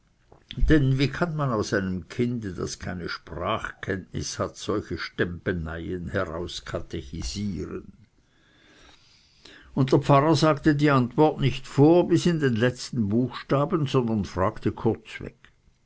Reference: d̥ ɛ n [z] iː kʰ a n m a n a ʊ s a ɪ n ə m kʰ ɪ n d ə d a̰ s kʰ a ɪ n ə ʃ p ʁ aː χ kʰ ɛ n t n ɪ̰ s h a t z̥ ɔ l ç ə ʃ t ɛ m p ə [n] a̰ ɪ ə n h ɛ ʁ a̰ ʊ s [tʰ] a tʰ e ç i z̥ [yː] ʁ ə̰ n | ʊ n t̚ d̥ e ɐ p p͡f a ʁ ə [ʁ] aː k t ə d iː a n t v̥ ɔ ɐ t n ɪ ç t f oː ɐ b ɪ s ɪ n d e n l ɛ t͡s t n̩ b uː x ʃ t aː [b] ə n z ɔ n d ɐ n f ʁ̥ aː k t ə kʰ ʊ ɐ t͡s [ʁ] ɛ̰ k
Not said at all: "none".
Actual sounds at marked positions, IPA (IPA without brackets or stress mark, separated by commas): v, n, kʰ, iː, z, b, v